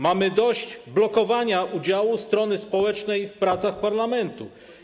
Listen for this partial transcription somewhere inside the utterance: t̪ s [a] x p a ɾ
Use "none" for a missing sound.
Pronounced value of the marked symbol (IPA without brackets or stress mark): a